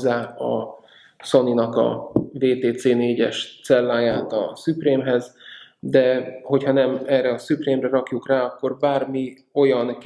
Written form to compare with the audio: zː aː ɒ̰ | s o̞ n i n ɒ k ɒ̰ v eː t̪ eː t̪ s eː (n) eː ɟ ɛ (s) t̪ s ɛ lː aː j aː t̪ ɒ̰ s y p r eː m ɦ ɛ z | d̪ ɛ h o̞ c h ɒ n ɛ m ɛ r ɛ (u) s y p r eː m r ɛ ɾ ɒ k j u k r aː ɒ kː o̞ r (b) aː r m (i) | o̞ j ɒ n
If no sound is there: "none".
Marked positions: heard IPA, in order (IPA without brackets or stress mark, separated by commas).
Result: n, ʃ, ɒ, b, i